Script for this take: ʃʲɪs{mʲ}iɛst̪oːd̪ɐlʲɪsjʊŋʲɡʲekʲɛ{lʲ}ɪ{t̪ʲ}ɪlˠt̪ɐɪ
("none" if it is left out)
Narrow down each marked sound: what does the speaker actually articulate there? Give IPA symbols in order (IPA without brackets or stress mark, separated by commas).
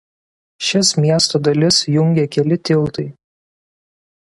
mʲ, lʲ, t̪ʲ